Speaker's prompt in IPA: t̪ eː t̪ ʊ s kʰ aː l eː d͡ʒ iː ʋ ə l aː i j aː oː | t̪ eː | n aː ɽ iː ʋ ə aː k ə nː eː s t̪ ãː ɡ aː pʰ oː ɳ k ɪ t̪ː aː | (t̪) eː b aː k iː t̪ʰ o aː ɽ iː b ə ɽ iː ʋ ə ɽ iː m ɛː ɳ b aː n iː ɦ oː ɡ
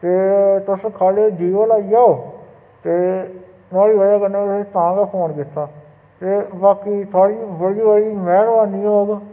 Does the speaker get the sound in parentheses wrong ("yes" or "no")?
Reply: no